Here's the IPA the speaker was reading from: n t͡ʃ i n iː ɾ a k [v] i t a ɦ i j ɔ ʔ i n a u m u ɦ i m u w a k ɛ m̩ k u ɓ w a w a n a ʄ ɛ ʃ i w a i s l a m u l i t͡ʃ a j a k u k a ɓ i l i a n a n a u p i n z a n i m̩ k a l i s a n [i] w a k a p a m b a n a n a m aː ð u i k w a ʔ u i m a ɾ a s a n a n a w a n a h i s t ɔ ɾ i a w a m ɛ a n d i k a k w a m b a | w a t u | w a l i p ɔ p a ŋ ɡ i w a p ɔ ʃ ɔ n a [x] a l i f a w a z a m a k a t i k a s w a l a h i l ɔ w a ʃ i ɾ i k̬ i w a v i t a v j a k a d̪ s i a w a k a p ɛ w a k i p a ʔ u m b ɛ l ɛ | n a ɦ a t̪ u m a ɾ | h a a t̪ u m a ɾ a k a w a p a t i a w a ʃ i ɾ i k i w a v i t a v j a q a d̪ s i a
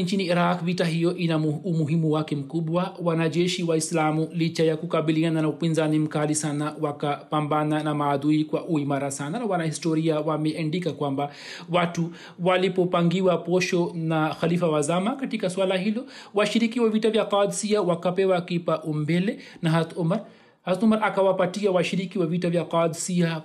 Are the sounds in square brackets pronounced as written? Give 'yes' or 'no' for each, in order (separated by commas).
yes, no, yes